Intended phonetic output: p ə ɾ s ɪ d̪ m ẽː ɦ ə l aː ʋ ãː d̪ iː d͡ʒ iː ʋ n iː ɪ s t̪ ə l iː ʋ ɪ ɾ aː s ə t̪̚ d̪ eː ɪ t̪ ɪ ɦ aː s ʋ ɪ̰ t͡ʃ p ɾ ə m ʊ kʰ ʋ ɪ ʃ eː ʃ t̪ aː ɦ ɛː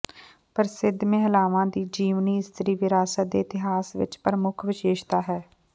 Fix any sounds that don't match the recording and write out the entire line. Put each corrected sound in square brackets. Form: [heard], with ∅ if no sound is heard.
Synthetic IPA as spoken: p ə ɾ s ɪ d̪ m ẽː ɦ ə l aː ʋ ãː d̪ iː d͡ʒ iː ʋ n iː ɪ s t̪ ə [ɾ] iː ʋ ɪ ɾ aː s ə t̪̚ d̪ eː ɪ t̪ ɪ ɦ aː s ʋ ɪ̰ t͡ʃ p ɾ ə m ʊ kʰ ʋ ɪ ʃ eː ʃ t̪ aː ɦ ɛː